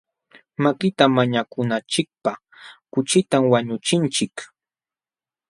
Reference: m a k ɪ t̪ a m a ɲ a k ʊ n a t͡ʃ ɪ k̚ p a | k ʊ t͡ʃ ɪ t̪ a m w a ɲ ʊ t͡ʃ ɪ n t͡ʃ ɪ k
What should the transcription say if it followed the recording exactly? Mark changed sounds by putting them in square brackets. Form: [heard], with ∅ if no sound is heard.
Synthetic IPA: m a k ɪ t̪ a m a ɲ a k ʊ n a t͡ʃ ɪ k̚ p a | k ʊ t͡ʃ ɪ t̪ a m w a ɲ ʊ t͡ʃ ɪ n t͡ʃ ɪ k